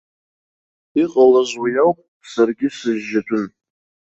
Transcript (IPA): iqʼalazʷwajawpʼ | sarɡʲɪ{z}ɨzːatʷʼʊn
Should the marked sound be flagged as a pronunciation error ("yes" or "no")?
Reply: yes